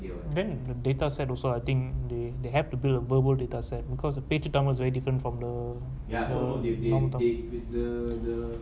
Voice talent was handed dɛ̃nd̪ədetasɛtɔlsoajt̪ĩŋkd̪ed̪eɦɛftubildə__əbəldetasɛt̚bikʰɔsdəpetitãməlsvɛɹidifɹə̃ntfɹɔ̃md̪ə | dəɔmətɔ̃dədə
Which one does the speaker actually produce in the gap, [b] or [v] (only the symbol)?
v